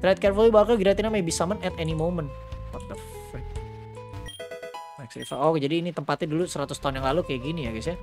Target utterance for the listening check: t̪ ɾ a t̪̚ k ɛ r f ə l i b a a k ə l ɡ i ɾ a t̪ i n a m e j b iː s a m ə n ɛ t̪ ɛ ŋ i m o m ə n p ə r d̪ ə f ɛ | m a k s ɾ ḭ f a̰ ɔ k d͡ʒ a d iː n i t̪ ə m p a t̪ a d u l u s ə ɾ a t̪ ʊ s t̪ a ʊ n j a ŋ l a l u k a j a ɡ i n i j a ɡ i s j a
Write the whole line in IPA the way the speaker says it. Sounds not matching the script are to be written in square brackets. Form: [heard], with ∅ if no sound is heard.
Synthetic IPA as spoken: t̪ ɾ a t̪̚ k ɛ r f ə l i b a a k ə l ɡ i ɾ a t̪ i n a m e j b [i] s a m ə n ɛ t̪ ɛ [n] i m o m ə n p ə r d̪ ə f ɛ | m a k s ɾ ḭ f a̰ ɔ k d͡ʒ a d iː n i t̪ ə m p a t̪ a d u l u s ə ɾ a t̪ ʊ s t̪ a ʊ n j a ŋ l a l u k a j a ɡ i n i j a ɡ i s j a

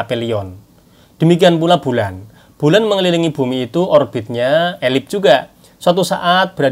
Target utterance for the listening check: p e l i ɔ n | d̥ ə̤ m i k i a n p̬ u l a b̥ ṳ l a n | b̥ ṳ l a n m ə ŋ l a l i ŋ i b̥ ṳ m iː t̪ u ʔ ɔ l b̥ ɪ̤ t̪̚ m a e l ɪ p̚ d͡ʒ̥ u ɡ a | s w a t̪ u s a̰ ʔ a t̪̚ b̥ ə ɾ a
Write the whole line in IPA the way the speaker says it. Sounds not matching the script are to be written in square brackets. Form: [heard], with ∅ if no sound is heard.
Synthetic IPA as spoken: p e l i ɔ n | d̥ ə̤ m i k i a n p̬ u l a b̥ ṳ l a n | b̥ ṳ l a n m ə ŋ l [i] l i ŋ i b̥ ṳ m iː t̪ u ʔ ɔ [r] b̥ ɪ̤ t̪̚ [ɲ] a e l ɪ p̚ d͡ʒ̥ u ɡ a | s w a t̪ u s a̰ ʔ a t̪̚ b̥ ə ɾ a

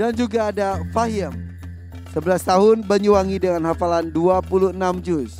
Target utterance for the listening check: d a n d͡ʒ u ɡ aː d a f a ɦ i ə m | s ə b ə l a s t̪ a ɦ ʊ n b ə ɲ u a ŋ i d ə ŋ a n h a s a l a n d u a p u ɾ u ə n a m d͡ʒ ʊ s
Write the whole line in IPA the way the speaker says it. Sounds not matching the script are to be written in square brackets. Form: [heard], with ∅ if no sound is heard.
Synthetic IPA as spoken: d a n d͡ʒ u ɡ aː d a f a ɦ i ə m | s ə b ə l a s t̪ a ɦ ʊ n b ə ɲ u a ŋ i d ə ŋ a n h a [f] a l a n d u a p u [l] u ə n a m d͡ʒ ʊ s

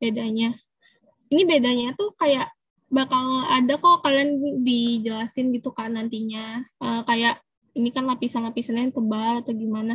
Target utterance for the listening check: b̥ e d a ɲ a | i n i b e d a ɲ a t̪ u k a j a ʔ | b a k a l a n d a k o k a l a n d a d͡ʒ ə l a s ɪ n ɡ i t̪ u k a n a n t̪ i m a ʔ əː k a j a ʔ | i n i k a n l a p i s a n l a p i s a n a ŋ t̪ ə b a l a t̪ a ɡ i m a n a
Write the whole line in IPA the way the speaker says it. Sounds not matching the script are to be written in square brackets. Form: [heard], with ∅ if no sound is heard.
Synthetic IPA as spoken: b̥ e d a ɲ a | i n i b e d a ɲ a t̪ u k a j a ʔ | b a k a l a [∅] d a k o k a l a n d [i] d͡ʒ ə l a s ɪ n ɡ i t̪ u k a n a n t̪ i [ɲ] a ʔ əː k a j a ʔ | i n i k a n l a p i s a n l a p i s a n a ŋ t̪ ə b a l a t̪ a ɡ i m a n a

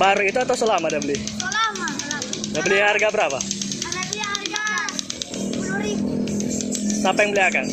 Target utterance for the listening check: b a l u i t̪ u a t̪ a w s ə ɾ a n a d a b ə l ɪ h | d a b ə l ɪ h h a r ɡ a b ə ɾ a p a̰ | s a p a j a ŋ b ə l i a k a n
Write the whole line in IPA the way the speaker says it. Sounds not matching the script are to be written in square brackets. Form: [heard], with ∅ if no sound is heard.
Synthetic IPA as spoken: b a [ɾ] u i t̪ u a t̪ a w s ə [l] a [m] a d a b ə l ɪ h | d a b ə l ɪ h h a r ɡ a b ə ɾ a p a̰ | s a p a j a ŋ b ə l i a k a n

